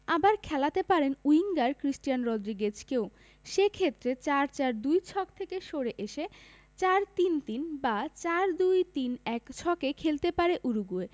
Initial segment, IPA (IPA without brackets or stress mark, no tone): a